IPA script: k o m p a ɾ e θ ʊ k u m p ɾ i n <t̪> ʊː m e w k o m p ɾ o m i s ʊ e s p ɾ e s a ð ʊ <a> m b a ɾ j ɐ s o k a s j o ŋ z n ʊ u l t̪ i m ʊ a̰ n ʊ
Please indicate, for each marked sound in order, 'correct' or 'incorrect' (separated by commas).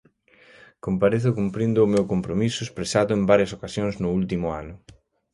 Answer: incorrect, incorrect